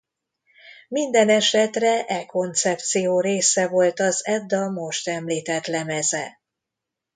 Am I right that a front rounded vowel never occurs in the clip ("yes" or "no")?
yes